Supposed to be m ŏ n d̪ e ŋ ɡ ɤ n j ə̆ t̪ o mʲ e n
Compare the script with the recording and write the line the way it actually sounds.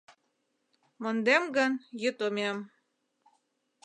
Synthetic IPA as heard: m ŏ n d̪ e m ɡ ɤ n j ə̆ t̪ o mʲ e m